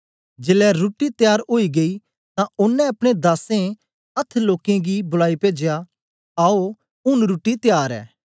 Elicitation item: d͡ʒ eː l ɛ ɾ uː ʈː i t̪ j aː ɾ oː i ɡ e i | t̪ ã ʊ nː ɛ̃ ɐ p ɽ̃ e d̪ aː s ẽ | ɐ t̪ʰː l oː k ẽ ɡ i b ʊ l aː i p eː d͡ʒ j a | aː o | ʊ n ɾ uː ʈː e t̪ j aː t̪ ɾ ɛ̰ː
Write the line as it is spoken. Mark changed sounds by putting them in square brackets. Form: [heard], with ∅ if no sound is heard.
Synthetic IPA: d͡ʒ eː l ɛ ɾ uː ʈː i t̪ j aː ɾ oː i ɡ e i | t̪ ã ʊ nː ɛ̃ ɐ p ɽ̃ e d̪ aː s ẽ | ɐ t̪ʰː l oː k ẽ ɡ i b ʊ l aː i p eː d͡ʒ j a | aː o | ʊ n ɾ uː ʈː [i] t̪ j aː [∅] ɾ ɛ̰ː